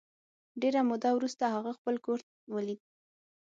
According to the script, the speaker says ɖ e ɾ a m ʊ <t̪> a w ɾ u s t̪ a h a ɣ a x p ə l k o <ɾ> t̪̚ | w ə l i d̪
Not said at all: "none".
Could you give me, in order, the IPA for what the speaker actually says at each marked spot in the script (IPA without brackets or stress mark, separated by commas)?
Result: d̪, ɾ